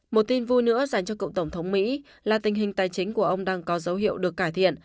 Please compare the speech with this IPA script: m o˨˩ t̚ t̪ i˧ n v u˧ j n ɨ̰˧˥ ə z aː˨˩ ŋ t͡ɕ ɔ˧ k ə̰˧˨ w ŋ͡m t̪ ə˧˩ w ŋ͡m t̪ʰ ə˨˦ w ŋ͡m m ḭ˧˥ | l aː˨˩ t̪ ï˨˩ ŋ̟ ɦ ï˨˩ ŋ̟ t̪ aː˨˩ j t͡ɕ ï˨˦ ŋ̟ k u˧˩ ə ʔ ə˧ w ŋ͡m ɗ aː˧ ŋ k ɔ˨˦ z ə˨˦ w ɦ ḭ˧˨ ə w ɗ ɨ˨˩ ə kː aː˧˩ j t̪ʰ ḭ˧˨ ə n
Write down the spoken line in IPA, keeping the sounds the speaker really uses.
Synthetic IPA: m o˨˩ t̚ t̪ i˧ n v u˧ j n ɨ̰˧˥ ə z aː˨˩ ŋ t͡ɕ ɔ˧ k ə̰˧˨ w ŋ͡m t̪ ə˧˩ w ŋ͡m t̪ʰ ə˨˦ w ŋ͡m m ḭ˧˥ | l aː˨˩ t̪ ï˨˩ ŋ̟ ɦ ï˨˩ ŋ̟ t̪ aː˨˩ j t͡ɕ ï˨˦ ŋ̟ k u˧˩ ə ʔ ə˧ w ŋ͡m ɗ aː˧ ŋ k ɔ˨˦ z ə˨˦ w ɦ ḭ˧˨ ə w ɗ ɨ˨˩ ə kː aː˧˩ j t̪ʰ ḭ˧˨ ə n

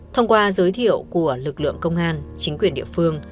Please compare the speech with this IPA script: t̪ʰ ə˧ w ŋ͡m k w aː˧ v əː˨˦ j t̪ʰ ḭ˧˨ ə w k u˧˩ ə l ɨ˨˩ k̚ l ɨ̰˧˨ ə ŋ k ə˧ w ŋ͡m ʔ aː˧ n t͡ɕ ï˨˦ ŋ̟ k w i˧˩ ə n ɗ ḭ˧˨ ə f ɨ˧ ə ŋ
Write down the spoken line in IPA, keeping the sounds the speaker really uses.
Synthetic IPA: t̪ʰ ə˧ w ŋ͡m k w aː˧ z əː˨˦ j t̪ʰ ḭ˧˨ ə w k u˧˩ ə l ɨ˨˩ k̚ l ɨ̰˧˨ ə ŋ k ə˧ w ŋ͡m ʔ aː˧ n t͡ɕ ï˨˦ ŋ̟ k w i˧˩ ə n ɗ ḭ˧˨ ə f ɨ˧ ə ŋ

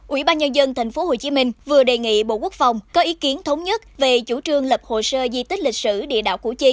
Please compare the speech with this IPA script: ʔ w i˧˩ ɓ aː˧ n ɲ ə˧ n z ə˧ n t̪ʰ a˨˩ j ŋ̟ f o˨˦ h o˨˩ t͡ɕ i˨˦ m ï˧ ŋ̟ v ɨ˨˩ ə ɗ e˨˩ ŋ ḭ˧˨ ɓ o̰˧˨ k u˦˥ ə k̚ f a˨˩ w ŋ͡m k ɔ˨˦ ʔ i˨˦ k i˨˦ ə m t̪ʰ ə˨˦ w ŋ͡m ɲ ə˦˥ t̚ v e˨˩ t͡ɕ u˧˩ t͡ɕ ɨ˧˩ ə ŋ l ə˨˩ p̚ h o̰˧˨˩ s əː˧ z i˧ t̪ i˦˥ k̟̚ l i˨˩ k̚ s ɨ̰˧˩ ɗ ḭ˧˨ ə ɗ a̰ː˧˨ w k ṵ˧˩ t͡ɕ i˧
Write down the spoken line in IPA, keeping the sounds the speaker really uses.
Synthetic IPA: ʔ w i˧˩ ɓ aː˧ n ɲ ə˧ n z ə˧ n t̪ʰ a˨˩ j ŋ̟ f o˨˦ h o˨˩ t͡ɕ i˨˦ m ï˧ ŋ̟ v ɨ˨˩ ə ɗ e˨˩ ŋ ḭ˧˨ ɓ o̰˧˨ k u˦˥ ə k̚ f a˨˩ w ŋ͡m k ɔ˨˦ ʔ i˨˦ k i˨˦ ə n t̪ʰ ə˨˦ w ŋ͡m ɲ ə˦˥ t̚ v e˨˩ t͡ɕ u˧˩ t͡ɕ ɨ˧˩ ə ŋ l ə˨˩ p̚ h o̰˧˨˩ s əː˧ z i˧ t̪ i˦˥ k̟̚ l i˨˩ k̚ s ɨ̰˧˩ ɗ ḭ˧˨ ə ɗ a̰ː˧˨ w k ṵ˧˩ t͡ɕ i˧

